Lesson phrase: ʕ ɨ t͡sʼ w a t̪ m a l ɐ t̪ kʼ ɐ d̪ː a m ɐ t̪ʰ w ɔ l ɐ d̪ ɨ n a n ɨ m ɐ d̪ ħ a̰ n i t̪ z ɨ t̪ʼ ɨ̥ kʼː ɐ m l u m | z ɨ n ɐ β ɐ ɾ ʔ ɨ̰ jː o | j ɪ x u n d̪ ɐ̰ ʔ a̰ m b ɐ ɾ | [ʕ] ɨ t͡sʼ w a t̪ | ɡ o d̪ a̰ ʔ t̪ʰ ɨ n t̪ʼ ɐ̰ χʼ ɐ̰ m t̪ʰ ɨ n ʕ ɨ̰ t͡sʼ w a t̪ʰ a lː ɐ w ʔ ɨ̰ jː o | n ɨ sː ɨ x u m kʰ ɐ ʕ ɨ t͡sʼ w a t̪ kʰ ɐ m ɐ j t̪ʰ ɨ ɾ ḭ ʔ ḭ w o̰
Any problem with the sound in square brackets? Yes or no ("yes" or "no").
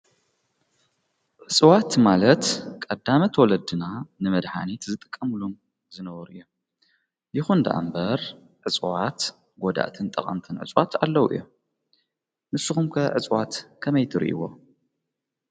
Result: no